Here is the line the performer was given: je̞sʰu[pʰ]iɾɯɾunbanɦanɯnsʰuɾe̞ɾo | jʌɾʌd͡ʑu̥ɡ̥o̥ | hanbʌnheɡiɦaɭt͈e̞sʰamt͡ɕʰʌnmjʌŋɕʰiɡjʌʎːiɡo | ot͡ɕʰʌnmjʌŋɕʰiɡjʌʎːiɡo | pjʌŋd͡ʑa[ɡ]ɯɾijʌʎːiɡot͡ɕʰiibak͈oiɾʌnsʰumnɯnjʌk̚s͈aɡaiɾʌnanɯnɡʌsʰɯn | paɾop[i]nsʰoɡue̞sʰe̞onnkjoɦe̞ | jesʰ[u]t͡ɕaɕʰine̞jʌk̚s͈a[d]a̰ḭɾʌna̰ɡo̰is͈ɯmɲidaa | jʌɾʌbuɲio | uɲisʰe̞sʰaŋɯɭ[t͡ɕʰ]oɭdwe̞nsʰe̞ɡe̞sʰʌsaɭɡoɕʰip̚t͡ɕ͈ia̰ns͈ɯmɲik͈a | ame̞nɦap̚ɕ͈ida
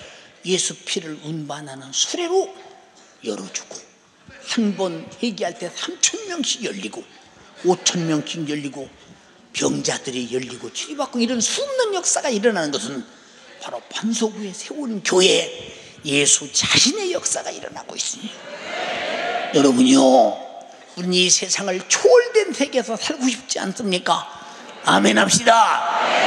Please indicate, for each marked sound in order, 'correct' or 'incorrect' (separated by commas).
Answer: correct, incorrect, incorrect, correct, incorrect, correct